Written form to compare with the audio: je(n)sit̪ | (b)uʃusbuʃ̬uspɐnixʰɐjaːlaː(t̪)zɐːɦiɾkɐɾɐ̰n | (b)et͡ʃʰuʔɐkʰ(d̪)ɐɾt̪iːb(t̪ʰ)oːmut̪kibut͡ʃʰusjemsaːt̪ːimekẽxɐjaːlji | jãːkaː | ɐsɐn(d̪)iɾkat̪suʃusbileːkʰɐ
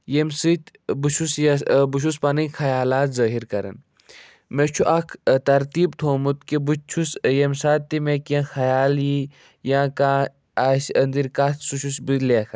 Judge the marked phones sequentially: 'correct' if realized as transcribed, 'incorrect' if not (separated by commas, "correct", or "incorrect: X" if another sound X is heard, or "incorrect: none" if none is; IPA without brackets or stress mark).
incorrect: m, correct, correct, incorrect: m, incorrect: t̪, correct, correct